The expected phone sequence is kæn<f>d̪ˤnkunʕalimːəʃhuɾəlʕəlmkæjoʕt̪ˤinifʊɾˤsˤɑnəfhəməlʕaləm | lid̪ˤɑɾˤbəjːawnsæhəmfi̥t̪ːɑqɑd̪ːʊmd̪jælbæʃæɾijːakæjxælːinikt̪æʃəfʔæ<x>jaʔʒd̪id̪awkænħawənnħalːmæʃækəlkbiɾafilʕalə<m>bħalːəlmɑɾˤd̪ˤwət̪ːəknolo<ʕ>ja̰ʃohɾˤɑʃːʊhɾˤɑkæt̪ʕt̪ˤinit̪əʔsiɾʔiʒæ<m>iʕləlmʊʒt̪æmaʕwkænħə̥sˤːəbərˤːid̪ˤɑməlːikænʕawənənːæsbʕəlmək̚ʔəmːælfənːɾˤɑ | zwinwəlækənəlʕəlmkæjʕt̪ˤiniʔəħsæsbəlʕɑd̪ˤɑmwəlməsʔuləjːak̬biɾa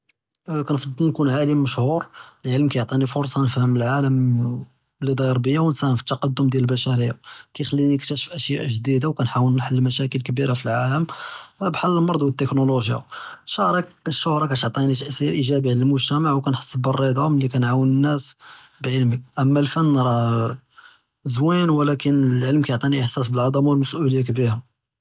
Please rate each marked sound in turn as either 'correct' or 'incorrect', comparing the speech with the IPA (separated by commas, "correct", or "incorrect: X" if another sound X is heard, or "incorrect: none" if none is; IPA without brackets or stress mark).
correct, incorrect: ʃ, correct, incorrect: ʒ, incorrect: b